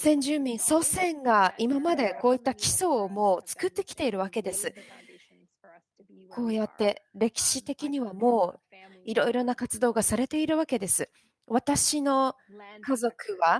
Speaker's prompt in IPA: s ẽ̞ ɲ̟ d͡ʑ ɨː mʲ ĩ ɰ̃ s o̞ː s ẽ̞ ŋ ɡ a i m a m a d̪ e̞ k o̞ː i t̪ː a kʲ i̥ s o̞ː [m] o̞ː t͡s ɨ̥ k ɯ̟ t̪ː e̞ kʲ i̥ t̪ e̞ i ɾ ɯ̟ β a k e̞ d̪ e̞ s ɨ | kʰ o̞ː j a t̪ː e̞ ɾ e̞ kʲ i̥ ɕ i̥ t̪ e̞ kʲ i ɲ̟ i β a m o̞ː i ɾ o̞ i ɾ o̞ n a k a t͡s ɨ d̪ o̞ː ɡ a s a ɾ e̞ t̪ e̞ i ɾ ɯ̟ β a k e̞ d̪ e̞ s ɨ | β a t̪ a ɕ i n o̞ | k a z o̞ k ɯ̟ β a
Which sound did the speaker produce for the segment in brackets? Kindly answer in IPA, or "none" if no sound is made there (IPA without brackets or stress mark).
m